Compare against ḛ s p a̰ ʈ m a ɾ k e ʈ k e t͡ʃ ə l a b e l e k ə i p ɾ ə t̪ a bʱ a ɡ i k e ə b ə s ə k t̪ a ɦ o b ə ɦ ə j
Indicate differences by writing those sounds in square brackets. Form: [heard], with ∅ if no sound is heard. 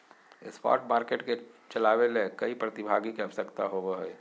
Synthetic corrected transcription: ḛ s p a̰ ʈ m a ɾ k e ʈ k e t͡ʃ ə l a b e l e k ə i p ɾ ə t̪ [i] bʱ a ɡ i k e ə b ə s ə k t̪ a ɦ o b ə ɦ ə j

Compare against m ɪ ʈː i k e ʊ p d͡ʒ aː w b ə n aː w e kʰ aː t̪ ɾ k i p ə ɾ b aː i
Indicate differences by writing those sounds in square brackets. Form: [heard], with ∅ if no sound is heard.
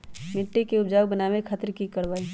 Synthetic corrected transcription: m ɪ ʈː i k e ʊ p d͡ʒ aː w b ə n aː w e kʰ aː t̪ ɾ k i [k] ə ɾ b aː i

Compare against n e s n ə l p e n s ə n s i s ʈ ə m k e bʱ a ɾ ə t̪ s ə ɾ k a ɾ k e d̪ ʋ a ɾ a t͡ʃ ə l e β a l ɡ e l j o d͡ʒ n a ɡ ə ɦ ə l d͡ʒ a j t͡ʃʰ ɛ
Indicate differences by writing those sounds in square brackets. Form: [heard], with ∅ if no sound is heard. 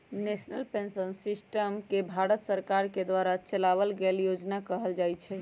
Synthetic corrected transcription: n e s n ə l p e n s ə n s i s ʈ ə m k e bʱ a ɾ ə t̪ s ə ɾ k a ɾ k e d̪ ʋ a ɾ a t͡ʃ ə l [a] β [ə] l ɡ e l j o d͡ʒ n a [k] ə ɦ ə l d͡ʒ a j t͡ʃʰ ɛ

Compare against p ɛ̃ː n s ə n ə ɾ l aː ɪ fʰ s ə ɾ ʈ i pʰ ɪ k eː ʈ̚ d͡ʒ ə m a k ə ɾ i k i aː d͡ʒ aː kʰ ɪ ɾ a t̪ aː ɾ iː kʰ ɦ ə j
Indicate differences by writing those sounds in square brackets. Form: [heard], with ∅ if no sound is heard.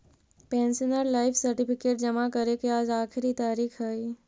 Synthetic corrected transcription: p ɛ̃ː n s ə n ə ɾ l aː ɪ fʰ s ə ɾ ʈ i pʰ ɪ k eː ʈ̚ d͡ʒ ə m a k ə ɾ [e] k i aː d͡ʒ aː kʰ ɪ ɾ [i] t̪ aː ɾ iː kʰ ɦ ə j

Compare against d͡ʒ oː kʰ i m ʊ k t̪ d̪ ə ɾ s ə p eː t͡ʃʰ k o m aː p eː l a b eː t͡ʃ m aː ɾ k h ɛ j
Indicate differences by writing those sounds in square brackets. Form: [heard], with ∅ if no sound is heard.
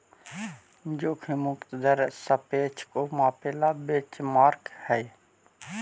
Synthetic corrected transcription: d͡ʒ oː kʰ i m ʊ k t̪ d̪ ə ɾ s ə p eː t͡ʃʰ k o m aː p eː l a b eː t͡ʃ m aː ɾ k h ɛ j

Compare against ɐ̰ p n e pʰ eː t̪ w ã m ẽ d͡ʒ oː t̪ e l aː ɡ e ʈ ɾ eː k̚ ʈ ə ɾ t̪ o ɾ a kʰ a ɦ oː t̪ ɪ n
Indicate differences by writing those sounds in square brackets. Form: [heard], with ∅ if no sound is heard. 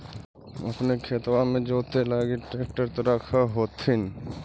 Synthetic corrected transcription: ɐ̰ p n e [kʰ] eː t̪ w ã m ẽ d͡ʒ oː t̪ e l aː ɡ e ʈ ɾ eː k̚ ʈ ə ɾ t̪ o ɾ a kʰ a ɦ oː t̪ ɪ n

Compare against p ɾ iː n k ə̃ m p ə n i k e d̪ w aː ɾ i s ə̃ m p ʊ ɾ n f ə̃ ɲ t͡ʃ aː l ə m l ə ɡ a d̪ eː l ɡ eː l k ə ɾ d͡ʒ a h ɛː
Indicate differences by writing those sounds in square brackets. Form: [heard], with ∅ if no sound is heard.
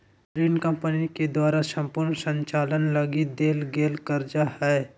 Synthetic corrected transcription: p ɾ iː n k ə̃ m p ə n i k e d̪ w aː ɾ [a] s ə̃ m p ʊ ɾ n [s] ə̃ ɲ t͡ʃ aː l ə [n] l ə ɡ [i] d̪ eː l ɡ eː l k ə ɾ d͡ʒ a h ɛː

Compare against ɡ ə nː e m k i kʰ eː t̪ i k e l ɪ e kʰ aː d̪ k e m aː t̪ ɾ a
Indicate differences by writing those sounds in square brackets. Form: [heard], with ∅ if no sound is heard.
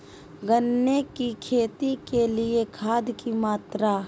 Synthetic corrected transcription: ɡ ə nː e [∅] k i kʰ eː t̪ i k e l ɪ e kʰ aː d̪ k [i] m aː t̪ ɾ a

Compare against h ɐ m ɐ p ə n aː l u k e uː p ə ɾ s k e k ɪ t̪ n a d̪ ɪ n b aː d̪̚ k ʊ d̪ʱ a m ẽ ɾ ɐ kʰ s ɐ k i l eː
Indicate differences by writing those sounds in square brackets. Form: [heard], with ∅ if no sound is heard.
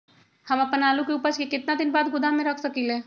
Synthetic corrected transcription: h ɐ m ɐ p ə n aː l u k e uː p ə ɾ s k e k ɪ t̪ n a d̪ ɪ n b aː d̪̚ [ɡ] ʊ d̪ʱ a m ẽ ɾ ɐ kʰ s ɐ k i l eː

